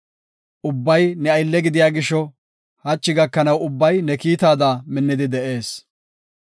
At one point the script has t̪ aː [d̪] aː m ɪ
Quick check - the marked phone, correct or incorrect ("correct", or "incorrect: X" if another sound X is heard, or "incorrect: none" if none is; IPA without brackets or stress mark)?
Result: correct